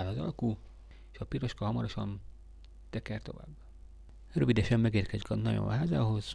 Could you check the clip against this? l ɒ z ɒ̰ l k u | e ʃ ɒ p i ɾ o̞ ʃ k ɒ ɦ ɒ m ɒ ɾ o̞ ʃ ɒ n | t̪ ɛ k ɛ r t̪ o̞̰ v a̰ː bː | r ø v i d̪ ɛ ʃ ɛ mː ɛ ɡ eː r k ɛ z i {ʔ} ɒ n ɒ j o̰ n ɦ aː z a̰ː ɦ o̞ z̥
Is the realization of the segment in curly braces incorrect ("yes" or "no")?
yes